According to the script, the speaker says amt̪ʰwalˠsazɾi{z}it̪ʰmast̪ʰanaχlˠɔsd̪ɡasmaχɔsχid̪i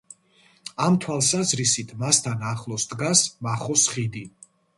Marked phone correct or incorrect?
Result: incorrect